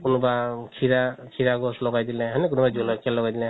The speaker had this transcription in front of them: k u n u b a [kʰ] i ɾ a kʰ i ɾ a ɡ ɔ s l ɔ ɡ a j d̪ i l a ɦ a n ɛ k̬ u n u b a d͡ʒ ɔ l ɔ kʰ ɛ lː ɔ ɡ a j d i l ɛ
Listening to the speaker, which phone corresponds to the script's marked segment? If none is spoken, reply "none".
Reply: kʰ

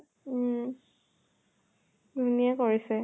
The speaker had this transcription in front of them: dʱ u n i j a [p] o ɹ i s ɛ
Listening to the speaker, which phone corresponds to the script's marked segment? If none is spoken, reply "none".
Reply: k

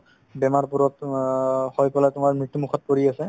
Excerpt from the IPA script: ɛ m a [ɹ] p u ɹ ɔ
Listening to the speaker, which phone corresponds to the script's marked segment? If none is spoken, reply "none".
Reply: ɹ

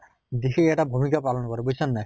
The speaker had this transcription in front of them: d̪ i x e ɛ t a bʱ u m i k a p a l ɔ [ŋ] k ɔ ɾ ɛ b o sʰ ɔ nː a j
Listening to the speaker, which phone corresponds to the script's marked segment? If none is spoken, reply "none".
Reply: n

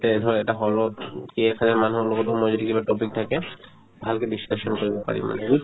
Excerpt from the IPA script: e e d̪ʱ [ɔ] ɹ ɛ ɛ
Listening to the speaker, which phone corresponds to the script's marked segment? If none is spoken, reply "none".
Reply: ɔ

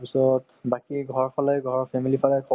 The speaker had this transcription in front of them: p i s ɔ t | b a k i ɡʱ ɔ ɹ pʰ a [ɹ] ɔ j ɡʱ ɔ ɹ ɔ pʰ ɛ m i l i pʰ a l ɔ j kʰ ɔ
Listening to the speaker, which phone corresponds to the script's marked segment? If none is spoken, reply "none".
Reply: l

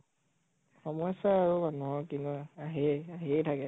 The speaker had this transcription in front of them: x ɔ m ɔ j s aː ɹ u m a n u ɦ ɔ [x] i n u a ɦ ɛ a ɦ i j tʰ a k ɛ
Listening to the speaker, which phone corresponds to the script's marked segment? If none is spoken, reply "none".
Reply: k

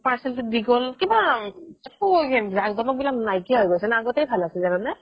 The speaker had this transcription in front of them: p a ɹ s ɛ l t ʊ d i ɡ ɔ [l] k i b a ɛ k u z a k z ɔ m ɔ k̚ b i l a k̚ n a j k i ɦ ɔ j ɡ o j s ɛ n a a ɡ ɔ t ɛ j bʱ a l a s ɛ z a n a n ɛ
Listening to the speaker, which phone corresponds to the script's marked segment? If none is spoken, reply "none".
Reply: l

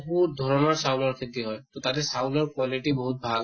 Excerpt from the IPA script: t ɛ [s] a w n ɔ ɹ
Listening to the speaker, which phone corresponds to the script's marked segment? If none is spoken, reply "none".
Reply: s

